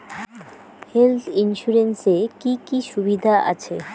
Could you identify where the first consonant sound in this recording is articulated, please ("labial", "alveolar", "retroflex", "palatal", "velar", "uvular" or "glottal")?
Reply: glottal